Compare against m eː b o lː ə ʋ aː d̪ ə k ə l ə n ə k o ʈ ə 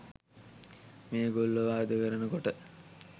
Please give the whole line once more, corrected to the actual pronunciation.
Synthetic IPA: m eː ɡ o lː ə ʋ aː d̪ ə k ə ɾ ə n ə k o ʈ ə